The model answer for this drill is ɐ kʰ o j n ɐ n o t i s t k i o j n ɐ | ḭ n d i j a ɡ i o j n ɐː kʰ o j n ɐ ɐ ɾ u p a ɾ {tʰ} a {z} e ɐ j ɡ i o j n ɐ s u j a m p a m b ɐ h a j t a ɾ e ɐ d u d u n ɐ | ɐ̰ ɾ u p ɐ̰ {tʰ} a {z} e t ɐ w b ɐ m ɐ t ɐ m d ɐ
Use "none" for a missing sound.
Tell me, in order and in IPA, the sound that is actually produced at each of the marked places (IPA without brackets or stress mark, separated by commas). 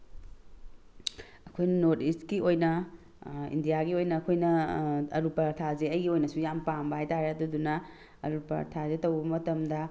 tʰ, z, tʰ, z